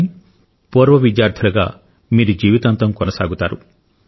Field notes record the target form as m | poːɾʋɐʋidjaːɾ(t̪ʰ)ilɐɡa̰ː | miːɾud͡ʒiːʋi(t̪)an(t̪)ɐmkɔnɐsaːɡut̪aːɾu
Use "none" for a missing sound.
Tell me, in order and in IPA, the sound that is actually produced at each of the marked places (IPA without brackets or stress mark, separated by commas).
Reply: t̪ʰ, t̪, t̪